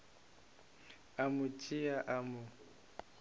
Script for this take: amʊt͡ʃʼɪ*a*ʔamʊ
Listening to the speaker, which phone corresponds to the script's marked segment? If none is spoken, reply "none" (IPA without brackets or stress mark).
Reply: a